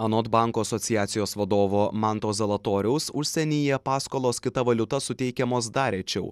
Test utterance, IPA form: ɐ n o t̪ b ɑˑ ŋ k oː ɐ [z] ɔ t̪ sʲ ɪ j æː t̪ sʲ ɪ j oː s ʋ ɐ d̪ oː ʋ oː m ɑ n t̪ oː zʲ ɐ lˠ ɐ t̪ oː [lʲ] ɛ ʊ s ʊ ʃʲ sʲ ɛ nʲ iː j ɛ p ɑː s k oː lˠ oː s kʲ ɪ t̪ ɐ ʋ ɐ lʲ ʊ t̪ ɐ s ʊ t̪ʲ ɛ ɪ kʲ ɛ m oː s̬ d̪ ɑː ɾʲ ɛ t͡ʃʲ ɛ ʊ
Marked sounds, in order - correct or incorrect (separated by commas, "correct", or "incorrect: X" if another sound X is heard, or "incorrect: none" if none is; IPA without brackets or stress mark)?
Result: incorrect: s, incorrect: ɾʲ